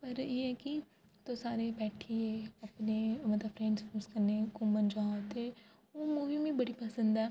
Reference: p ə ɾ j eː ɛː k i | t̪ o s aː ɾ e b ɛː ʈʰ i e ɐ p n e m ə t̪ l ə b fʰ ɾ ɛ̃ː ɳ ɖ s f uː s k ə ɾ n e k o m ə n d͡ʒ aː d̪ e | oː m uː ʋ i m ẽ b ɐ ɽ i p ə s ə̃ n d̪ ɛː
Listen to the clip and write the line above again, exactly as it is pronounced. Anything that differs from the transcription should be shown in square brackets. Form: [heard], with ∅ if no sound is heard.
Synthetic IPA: p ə ɾ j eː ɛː k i | t̪ o s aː ɾ e b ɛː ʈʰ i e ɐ p n e m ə t̪ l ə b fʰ ɾ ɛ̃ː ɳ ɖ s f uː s k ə ɾ n e k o m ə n d͡ʒ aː [t̪] e | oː m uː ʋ i m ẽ b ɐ ɽ i p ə s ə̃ n d̪ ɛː